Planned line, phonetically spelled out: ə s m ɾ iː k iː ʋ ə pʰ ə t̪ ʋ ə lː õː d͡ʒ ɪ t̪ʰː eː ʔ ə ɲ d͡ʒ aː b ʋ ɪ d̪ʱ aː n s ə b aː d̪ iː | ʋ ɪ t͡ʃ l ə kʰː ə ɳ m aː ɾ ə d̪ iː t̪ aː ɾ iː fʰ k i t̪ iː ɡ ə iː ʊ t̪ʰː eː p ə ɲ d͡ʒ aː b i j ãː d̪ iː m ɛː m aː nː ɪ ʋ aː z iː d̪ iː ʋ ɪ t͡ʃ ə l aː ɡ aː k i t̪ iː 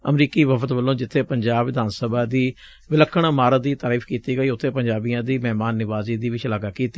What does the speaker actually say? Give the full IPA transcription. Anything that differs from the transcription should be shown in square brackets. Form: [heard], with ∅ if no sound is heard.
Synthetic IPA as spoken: ə [∅] m ɾ iː k iː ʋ ə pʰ ə t̪ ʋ ə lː õː d͡ʒ ɪ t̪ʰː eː [p] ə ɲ d͡ʒ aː b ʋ ɪ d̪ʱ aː n s ə b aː d̪ iː | ʋ ɪ [∅] l ə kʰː ə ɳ m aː ɾ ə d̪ iː t̪ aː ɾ iː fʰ k [iː] t̪ iː ɡ ə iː ʊ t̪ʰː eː p ə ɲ d͡ʒ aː b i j ãː d̪ iː m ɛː m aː nː ɪ ʋ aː z iː d̪ iː ʋ ɪ t͡ʃ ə l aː ɡ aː k [iː] t̪ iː